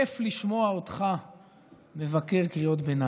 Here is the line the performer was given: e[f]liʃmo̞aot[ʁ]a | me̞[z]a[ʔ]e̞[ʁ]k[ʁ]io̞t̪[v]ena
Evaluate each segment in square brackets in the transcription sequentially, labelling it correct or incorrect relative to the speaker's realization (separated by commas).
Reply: correct, incorrect, incorrect, incorrect, correct, correct, incorrect